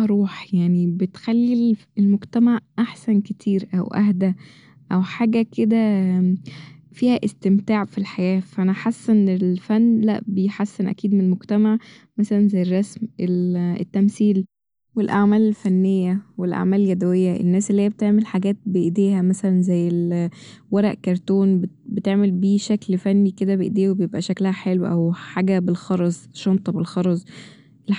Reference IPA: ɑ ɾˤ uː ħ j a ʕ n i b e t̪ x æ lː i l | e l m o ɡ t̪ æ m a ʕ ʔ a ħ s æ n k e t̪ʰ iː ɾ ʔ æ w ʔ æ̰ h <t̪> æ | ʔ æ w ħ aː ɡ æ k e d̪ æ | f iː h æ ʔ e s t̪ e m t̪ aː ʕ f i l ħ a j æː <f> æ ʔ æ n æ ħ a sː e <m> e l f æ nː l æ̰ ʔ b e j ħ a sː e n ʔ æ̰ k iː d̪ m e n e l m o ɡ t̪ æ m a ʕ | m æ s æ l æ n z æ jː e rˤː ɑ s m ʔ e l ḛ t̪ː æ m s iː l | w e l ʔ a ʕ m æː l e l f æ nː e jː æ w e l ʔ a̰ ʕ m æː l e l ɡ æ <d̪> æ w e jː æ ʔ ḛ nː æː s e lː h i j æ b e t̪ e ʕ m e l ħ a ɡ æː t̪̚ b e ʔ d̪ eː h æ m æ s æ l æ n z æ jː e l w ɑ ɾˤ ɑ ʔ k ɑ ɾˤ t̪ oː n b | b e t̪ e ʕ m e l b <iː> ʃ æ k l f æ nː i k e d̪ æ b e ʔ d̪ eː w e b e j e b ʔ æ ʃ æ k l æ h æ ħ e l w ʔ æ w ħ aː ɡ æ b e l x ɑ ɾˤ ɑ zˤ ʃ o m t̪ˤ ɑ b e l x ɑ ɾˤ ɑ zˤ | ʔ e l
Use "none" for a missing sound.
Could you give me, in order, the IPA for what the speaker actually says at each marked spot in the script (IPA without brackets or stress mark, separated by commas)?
d̪, f, n, d̪, iː